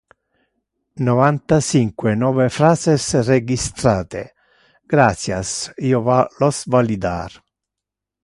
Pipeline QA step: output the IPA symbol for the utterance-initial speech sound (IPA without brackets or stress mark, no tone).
n